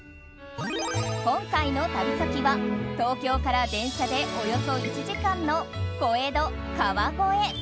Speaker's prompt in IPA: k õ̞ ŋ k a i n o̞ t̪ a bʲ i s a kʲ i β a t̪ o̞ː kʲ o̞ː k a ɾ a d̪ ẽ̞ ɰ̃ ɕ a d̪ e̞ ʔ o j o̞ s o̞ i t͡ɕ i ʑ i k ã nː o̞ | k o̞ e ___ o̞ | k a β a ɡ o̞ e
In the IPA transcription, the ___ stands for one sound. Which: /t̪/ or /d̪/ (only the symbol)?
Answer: d̪